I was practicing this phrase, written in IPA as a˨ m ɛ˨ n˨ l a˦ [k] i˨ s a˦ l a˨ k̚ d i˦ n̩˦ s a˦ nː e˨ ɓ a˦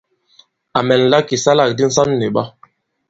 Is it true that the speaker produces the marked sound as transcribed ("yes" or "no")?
yes